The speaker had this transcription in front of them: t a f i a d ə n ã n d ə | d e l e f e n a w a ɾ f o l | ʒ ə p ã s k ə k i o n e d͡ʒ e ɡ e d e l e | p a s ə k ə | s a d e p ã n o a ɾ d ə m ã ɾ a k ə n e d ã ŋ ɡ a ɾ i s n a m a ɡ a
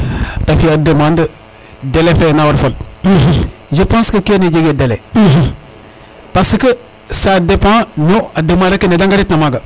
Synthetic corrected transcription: t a f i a d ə m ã n d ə | d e l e f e n a w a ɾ f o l | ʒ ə p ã s k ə k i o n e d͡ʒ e ɡ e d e l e | p a s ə k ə | s a d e p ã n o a d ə m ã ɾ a k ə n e d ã ŋ ɡ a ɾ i t n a m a ɡ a